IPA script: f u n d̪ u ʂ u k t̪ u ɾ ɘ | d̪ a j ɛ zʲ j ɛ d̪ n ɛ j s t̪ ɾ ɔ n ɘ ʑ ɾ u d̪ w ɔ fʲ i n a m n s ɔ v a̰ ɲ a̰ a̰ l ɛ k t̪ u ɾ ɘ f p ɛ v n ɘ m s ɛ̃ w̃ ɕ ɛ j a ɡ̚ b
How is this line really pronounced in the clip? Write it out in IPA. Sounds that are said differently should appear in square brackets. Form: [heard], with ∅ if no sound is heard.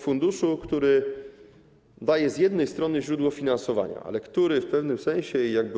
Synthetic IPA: f u n d̪ u ʂ u k t̪ u ɾ ɘ | d̪ a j ɛ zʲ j ɛ d̪ n ɛ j s t̪ ɾ ɔ n ɘ ʑ ɾ u d̪ w ɔ fʲ i n a [∅] n s ɔ v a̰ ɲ a̰ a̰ l ɛ k t̪ u ɾ ɘ f p ɛ v n ɘ m s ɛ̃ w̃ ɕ ɛ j a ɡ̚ b

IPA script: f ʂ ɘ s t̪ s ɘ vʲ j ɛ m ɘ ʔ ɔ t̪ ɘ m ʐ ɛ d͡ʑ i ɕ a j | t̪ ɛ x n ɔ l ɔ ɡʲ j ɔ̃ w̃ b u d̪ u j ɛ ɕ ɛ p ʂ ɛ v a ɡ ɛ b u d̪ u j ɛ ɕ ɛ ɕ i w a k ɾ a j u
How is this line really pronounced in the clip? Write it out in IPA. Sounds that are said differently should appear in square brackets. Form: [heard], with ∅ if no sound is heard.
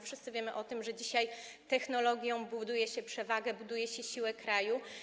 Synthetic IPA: f ʂ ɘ s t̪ s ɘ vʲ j ɛ m ɘ ʔ ɔ t̪ ɘ m ʐ ɛ d͡ʑ i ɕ a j | t̪ ɛ x n ɔ l ɔ ɡʲ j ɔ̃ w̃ b u d̪ u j ɛ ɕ ɛ p ʂ ɛ v a ɡ ɛ b u d̪ u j ɛ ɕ ɛ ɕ i w [ɛ] k ɾ a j u

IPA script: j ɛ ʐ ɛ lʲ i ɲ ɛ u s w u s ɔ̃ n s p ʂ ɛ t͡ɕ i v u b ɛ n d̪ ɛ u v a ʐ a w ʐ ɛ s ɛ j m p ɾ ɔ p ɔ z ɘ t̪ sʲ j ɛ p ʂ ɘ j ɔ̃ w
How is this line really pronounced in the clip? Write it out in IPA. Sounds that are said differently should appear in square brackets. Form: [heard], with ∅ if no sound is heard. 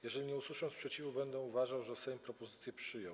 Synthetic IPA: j ɛ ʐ ɛ lʲ i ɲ ɛ u s w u [ʂ] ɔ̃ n s p ʂ ɛ t͡ɕ i v u b ɛ n d̪ ɛ u v a ʐ a w ʐ ɛ s ɛ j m p ɾ ɔ p ɔ z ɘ t̪ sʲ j ɛ p ʂ ɘ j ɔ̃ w

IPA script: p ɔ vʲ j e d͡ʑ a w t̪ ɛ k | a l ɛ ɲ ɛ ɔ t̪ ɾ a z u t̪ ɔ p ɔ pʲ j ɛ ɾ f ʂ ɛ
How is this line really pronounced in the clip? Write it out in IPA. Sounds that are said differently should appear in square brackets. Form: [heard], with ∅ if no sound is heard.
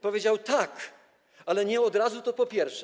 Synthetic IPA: p ɔ vʲ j e d͡ʑ a w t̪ [a] k | a l ɛ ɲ ɛ ɔ [d̪] ɾ a z u t̪ ɔ p ɔ pʲ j ɛ ɾ f ʂ ɛ

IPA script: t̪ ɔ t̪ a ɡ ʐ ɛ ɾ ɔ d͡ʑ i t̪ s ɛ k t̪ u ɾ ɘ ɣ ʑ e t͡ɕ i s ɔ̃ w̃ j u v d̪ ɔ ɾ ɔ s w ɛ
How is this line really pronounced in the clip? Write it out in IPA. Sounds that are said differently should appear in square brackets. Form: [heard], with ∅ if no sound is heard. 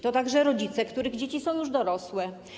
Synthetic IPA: t̪ ɔ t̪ a ɡ ʐ ɛ ɾ ɔ d͡ʑ i t̪ s ɛ k t̪ u ɾ ɘ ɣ [d͡ʑ] e t͡ɕ i s ɔ̃ w̃ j u [ʐ] d̪ ɔ ɾ ɔ s w ɛ

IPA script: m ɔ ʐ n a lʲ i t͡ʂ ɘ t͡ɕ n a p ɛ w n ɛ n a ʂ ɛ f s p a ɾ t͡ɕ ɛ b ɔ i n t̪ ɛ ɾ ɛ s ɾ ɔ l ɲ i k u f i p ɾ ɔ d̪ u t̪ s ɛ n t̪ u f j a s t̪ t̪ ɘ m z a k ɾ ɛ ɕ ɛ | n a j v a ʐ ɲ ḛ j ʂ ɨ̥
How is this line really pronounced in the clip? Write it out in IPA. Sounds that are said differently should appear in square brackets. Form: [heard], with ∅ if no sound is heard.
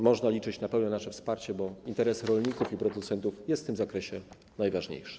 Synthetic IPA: m ɔ ʐ n a lʲ i t͡ʂ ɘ t͡ɕ n a p ɛ w n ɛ n a ʂ ɛ f s p a ɾ t͡ɕ ɛ b ɔ i n t̪ ɛ ɾ ɛ s ɾ ɔ l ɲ i k u f i p ɾ ɔ d̪ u t̪ s ɛ n t̪ u f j [ɛ] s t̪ t̪ ɘ m z a k ɾ ɛ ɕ ɛ | n a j v a ʐ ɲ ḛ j ʂ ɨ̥

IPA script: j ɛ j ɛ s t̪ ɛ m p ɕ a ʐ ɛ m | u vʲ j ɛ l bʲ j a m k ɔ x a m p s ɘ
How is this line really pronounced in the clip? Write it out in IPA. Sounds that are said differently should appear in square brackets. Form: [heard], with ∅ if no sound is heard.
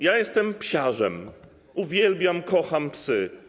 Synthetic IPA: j [a] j ɛ s t̪ ɛ m p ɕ a ʐ ɛ m | u vʲ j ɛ l bʲ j a m k ɔ x a m p s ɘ

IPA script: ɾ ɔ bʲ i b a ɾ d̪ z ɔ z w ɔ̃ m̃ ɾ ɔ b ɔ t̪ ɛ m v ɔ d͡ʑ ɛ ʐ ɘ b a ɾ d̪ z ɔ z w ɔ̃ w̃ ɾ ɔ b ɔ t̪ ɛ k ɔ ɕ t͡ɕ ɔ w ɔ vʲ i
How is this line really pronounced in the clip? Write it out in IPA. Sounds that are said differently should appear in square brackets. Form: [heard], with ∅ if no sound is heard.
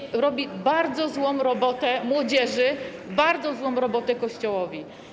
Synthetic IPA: ɾ ɔ bʲ i b a ɾ d̪ z ɔ z w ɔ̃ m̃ ɾ ɔ b ɔ t̪ ɛ m [w] ɔ d͡ʑ ɛ ʐ ɘ b a ɾ d̪ z ɔ z w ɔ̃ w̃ ɾ ɔ b ɔ t̪ ɛ k ɔ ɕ t͡ɕ ɔ w ɔ vʲ i

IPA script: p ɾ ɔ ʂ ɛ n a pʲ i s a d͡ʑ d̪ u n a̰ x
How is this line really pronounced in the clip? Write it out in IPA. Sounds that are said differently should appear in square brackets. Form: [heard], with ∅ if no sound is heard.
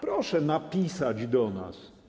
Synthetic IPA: p ɾ ɔ ʂ ɛ n a pʲ i s a d͡ʑ d̪ [ɔ] n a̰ [s]

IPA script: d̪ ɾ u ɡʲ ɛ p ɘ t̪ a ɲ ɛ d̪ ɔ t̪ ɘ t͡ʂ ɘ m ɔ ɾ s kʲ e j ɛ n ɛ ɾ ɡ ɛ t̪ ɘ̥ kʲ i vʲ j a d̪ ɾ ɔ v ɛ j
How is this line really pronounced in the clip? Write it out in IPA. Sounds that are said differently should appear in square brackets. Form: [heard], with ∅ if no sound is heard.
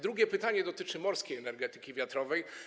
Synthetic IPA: d̪ ɾ u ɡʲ ɛ p ɘ t̪ a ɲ ɛ d̪ ɔ t̪ ɘ t͡ʂ ɘ m ɔ ɾ s kʲ e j ɛ n ɛ ɾ ɡ ɛ t̪ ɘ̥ kʲ i vʲ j a [t̪] ɾ ɔ v ɛ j

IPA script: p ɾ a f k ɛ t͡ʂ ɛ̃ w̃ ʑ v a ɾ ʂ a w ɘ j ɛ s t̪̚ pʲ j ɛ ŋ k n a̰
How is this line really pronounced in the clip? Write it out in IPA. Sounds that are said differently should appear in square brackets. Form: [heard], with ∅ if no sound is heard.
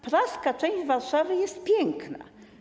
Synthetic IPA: p ɾ a [s] k [a] t͡ʂ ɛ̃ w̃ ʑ v a ɾ ʂ a [v] ɘ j ɛ s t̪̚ pʲ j ɛ ŋ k n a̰

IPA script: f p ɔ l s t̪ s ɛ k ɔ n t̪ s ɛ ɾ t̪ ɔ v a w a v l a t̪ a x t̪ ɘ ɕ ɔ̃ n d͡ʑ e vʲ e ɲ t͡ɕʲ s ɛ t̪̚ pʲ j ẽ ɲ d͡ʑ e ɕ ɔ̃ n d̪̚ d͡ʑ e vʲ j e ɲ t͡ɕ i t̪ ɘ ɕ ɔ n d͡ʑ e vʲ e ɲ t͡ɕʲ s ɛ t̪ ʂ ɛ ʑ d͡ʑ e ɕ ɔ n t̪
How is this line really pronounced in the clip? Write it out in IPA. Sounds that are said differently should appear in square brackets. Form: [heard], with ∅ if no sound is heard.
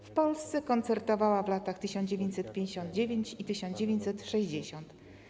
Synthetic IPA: f p ɔ l s t̪ s ɛ k ɔ n t̪ s ɛ ɾ t̪ ɔ v a w a v l a t̪ a x t̪ ɘ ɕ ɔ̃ n d͡ʑ e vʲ e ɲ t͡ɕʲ s ɛ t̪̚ pʲ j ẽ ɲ d͡ʑ e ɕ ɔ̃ n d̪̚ d͡ʑ e vʲ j e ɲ t͡ɕ i t̪ ɘ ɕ ɔ n d͡ʑ e vʲ e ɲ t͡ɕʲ s ɛ t̪ ʂ ɛ ʑ d͡ʑ e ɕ ɔ n t̪

